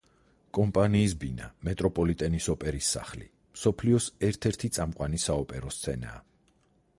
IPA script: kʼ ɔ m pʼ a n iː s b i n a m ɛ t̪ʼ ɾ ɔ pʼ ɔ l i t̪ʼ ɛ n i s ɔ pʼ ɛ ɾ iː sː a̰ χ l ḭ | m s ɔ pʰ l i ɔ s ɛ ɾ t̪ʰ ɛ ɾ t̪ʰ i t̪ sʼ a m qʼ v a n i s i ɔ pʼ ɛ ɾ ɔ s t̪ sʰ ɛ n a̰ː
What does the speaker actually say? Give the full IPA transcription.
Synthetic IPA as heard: kʼ ɔ m pʼ a n iː s b i n a m ɛ t̪ʼ ɾ ɔ pʼ ɔ l i t̪ʼ ɛ n i s ɔ pʼ ɛ ɾ i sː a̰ χ l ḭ | m s ɔ pʰ l i ɔ s ɛ ɾ t̪ʰ ɛ ɾ t̪ʰ i t̪ sʼ a m qʼ w a n i s a ɔ pʼ ɛ ɾ ɔ s t̪ sʰ ɛ n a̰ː

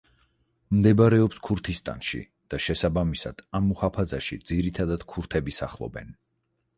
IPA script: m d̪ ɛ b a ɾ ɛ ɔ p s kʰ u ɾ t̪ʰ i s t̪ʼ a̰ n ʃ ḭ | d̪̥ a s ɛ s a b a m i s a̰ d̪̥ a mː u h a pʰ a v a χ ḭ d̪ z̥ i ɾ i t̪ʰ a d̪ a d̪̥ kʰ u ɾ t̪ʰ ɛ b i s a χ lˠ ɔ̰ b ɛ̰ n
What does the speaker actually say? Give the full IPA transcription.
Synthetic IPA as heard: m d̪ ɛ b a ɾ ɛ ɔ p s kʰ u ɾ t̪ʰ i s t̪ʼ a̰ n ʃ ḭ | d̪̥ a ʃ ɛ s a b a m i s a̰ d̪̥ a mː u h a pʰ a z a ʃ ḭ d̪ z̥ i ɾ i t̪ʰ a d̪ a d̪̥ kʰ u ɾ t̪ʰ ɛ b i s a χ lˠ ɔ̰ b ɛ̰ n

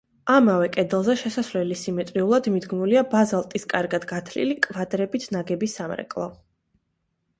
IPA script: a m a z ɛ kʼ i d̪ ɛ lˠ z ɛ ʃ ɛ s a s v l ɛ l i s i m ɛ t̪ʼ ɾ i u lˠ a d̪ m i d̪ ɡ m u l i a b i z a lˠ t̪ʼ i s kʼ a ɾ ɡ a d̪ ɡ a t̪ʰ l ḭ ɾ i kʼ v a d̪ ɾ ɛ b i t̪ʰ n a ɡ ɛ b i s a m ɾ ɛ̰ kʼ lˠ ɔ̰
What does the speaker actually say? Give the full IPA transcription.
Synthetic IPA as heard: a m a v ɛ kʼ ɛ d̪ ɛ lˠ z ɛ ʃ ɛ s a s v l ɛ l i s i m ɛ t̪ʼ ɾ i u lˠ a d̪ m i d̪ ɡ m u l i a b a z a lˠ t̪ʼ i s kʼ a ɾ ɡ a d̪ ɡ a t̪ʰ l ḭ l i kʼ v a d̪ ɾ ɛ b i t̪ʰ n a ɡ ɛ b i s a m ɾ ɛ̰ kʼ lˠ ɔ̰

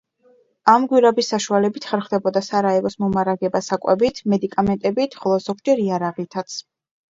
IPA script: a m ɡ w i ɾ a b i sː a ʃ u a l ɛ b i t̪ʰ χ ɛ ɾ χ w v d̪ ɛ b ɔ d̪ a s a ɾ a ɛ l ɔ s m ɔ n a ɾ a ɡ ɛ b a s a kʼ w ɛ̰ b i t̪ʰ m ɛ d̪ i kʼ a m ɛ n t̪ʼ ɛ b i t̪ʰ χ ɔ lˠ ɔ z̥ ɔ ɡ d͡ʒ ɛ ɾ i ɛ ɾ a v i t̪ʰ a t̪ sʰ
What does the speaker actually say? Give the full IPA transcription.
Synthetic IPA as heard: a m ɡ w i ɾ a b i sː a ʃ u a l ɛ b i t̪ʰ χ ɛ ɾ χ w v d̪ ɛ b ɔ d̪ a s a ɾ a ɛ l ɔ s m ɔ m a ɾ a ɡ ɛ b a s a kʼ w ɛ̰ b i t̪ʰ m ɛ d̪ i kʼ a m ɛ n t̪ʼ ɛ b i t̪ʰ χ ɔ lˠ ɔ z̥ ɔ ɡ d͡ʒ ɛ ɾ i a ɾ a ʁ i t̪ʰ a t̪ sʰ

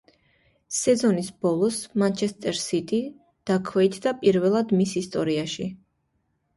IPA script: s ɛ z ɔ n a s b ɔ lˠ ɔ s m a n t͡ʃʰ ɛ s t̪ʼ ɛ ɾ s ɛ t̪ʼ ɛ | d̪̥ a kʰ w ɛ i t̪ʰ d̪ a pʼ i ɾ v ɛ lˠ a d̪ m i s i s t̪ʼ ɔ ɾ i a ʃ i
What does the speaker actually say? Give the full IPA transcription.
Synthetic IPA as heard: s ɛ z ɔ n i s b ɔ lˠ ɔ s m a n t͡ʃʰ ɛ s t̪ʼ ɛ ɾ s i t̪ʼ i | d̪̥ a kʰ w ɛ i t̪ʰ d̪ a pʼ i ɾ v ɛ lˠ a d̪ m i s i s t̪ʼ ɔ ɾ i a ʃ i

